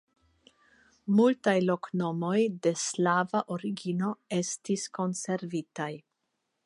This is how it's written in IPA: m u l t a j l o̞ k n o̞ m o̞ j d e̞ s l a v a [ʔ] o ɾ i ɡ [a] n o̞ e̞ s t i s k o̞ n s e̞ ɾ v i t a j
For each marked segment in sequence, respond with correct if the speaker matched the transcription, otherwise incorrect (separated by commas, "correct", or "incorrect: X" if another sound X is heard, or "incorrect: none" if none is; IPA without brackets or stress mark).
correct, incorrect: i